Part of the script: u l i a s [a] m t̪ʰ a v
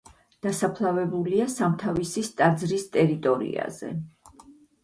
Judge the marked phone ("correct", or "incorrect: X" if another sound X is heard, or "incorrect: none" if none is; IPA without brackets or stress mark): correct